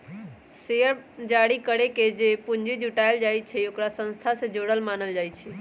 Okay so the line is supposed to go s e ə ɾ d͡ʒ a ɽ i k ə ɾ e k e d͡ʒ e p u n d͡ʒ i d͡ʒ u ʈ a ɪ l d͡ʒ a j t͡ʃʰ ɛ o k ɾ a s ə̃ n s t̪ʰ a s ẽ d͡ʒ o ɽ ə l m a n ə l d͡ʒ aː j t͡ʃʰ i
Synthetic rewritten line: s e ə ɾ d͡ʒ a ɽ i k ə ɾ e k e d͡ʒ e p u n d͡ʒ i d͡ʒ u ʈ a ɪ l d͡ʒ a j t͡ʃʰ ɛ o k ɾ a s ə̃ n s t̪ʰ a s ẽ d͡ʒ o ɽ ə l m a n ə l d͡ʒ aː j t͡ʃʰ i